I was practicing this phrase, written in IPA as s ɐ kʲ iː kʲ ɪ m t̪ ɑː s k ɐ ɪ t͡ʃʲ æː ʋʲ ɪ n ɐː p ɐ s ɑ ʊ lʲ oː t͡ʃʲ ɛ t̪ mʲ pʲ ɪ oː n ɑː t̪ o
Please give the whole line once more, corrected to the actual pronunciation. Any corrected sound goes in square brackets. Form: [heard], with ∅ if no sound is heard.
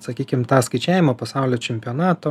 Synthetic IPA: s ɐ kʲ iː kʲ ɪ m t̪ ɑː s k ɐ ɪ t͡ʃʲ æː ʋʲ ɪ [m] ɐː p ɐ s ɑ ʊ lʲ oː t͡ʃʲ ɛ [∅] mʲ pʲ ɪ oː n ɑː t̪ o